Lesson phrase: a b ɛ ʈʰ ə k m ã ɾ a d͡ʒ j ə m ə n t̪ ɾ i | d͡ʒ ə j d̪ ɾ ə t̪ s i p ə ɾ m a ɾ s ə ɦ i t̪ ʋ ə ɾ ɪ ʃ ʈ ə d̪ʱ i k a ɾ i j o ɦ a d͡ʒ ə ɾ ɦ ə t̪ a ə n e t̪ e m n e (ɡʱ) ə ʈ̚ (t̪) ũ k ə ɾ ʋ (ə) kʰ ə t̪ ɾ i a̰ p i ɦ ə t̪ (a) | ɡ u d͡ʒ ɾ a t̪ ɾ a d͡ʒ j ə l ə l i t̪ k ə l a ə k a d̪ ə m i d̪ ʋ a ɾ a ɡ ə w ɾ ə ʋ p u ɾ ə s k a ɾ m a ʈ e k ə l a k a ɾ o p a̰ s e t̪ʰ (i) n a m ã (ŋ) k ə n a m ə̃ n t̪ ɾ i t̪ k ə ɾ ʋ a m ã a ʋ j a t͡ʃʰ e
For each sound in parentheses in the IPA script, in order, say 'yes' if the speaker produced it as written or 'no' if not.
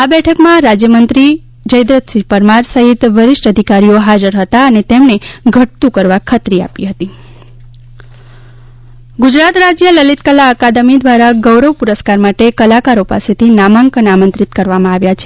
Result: yes, yes, no, no, yes, yes

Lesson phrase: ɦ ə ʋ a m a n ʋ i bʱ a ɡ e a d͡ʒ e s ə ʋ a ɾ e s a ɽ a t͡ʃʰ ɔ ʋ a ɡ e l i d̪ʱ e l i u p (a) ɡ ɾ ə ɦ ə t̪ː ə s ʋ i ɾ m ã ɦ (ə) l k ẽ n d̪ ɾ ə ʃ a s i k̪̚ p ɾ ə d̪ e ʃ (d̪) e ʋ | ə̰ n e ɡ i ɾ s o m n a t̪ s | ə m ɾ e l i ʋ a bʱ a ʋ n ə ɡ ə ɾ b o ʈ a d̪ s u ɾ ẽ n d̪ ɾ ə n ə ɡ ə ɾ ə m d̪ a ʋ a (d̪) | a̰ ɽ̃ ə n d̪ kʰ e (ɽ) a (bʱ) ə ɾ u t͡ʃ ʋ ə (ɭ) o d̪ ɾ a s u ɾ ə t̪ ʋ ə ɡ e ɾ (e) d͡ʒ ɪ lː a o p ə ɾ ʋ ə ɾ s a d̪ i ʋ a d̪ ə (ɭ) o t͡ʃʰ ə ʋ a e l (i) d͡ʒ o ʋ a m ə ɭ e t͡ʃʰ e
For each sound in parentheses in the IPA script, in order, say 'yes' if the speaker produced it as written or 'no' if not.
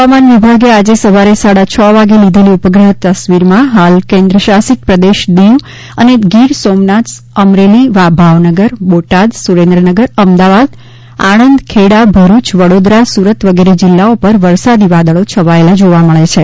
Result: no, no, yes, yes, yes, yes, no, yes, yes, no

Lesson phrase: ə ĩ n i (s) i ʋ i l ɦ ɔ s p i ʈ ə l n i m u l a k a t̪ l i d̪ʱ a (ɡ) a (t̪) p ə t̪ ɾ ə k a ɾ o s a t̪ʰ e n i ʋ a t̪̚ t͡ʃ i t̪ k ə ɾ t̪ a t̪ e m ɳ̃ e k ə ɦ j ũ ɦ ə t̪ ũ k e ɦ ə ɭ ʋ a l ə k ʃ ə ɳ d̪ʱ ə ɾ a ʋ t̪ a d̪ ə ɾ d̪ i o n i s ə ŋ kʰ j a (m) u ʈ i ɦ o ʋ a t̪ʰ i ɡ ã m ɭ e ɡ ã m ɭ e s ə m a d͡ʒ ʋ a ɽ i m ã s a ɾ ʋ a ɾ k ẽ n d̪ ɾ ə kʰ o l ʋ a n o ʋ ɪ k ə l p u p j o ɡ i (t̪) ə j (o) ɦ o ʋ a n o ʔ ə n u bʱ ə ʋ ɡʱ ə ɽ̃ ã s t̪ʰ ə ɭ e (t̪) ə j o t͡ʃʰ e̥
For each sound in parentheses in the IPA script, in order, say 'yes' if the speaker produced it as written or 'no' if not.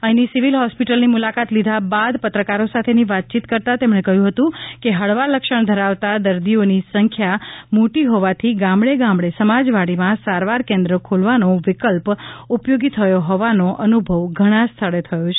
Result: yes, no, no, yes, no, yes, no

